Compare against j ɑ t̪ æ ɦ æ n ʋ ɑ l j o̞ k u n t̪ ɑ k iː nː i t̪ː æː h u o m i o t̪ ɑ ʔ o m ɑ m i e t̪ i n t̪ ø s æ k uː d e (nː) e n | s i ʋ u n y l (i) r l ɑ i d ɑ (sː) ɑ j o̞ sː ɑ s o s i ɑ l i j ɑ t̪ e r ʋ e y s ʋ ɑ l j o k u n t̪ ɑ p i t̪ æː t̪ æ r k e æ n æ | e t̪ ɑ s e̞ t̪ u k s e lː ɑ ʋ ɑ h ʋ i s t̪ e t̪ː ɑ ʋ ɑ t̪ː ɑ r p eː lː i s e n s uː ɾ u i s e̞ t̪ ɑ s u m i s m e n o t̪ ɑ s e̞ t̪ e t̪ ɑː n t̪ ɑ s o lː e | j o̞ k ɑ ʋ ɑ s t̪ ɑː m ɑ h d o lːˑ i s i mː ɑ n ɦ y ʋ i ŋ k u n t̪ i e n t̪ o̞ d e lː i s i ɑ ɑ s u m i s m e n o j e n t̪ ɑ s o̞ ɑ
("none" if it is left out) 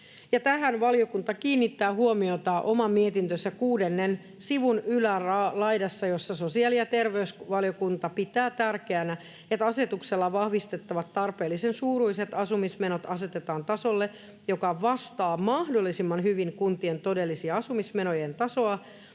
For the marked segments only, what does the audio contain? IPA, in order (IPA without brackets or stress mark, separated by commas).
nː, æ, sː